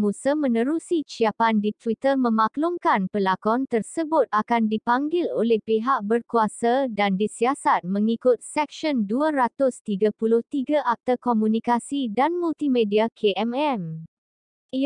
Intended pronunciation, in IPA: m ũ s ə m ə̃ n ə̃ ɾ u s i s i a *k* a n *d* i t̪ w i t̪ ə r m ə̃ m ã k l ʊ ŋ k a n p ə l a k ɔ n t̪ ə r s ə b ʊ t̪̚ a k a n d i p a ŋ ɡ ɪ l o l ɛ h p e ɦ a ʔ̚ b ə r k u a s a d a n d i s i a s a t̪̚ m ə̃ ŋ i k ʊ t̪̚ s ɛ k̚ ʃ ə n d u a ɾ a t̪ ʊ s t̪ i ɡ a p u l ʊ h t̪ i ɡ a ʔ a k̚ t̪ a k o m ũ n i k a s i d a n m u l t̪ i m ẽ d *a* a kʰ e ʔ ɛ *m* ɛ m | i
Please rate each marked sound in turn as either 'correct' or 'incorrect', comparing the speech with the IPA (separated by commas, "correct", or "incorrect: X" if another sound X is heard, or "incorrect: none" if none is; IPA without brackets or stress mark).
incorrect: p, correct, incorrect: i, correct